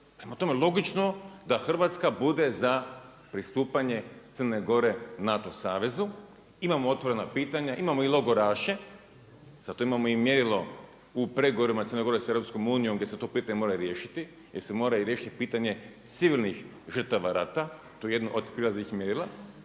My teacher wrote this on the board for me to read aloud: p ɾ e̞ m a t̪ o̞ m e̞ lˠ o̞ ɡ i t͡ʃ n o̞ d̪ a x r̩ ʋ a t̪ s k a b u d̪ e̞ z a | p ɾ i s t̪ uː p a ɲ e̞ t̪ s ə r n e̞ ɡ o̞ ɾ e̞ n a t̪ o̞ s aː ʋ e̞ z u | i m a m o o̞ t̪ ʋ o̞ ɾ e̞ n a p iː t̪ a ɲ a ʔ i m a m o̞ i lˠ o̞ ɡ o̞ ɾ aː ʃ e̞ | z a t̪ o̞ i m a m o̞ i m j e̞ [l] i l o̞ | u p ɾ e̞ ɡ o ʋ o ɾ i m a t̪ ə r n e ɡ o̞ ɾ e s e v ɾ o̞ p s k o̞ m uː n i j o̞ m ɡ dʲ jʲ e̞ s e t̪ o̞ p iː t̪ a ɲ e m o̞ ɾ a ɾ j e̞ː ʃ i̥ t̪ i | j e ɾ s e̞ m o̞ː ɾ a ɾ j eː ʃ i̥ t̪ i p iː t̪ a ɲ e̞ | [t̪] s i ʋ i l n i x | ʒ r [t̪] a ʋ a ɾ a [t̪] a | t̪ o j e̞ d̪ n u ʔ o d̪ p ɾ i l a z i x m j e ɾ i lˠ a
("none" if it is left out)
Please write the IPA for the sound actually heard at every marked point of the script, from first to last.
ɾ, t̪, t̪, t̪

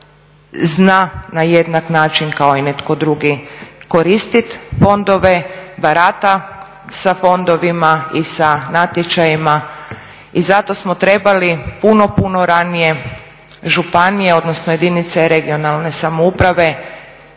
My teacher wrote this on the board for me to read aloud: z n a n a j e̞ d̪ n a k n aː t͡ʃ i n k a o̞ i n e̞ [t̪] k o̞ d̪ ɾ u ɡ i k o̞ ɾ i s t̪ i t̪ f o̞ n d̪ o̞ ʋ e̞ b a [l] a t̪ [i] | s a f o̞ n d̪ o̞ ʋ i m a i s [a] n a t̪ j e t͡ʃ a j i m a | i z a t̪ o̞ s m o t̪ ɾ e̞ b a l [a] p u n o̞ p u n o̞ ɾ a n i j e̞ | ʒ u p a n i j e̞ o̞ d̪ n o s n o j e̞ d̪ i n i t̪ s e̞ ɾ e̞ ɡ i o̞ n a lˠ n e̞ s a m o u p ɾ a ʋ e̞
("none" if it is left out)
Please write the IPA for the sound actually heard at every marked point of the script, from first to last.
t̪, ɾ, a, a, i

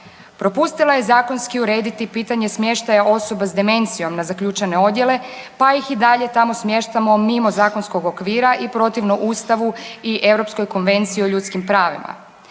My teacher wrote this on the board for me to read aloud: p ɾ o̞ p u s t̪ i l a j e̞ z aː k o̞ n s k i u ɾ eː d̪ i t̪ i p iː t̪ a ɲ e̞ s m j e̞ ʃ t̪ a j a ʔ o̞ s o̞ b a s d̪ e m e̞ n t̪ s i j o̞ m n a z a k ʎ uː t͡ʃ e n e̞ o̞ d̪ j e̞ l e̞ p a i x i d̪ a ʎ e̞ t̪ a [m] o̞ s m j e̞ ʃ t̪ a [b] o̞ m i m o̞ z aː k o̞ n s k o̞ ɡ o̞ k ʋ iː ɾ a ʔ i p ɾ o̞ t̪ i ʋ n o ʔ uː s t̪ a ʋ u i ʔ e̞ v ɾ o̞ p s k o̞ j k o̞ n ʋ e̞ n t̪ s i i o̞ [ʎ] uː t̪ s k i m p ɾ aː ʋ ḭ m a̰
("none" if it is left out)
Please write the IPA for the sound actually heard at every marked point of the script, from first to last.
m, m, ʎ

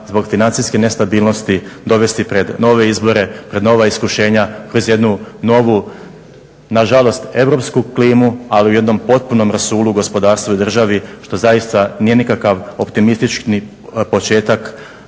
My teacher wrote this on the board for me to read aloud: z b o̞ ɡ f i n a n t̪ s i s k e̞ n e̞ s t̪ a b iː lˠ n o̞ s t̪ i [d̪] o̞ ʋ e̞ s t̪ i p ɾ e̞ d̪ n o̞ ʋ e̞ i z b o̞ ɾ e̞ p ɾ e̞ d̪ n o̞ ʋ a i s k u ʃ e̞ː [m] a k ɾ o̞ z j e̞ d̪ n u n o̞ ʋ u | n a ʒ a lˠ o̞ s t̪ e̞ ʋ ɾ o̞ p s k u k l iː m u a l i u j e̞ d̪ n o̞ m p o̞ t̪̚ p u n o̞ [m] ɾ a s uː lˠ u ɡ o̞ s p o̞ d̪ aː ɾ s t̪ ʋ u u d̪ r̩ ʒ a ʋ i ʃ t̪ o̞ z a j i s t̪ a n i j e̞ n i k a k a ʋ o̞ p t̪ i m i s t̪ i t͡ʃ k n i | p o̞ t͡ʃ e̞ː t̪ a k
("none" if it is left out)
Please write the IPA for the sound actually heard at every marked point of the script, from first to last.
d̪, ɲ, m

